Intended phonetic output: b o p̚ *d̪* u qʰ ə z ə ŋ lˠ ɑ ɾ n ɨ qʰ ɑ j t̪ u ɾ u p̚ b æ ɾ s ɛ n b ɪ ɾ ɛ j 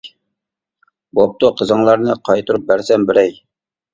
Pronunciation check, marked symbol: incorrect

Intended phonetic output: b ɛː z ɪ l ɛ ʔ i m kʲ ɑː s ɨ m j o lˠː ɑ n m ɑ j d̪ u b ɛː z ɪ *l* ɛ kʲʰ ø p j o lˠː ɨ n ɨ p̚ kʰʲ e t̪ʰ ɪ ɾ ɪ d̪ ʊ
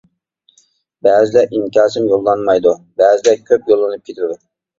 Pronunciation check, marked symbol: correct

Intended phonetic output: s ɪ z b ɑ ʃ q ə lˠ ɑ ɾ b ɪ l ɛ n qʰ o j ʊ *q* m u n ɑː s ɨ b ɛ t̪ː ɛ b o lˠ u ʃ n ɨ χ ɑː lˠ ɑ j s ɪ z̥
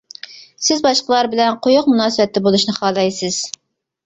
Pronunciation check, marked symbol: correct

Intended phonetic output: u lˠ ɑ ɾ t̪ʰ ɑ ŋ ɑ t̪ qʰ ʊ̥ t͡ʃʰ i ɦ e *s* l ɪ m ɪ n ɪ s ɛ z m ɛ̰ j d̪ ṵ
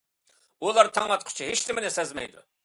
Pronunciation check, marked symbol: incorrect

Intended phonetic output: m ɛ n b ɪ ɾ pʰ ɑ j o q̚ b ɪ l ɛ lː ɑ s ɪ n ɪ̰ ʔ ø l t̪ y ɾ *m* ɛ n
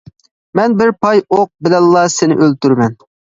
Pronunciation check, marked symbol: correct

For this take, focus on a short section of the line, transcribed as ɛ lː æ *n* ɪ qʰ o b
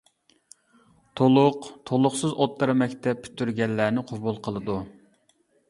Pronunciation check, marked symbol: correct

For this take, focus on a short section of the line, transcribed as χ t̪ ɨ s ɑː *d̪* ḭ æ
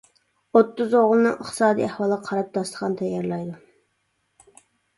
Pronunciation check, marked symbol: correct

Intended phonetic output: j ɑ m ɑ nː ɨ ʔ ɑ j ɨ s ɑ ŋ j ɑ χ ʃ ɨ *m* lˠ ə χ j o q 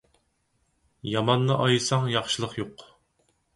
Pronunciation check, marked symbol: incorrect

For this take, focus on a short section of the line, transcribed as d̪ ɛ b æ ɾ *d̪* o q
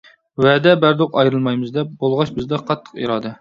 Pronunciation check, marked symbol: correct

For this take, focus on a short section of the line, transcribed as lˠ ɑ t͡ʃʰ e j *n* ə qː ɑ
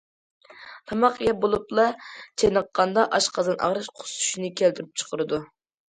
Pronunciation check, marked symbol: correct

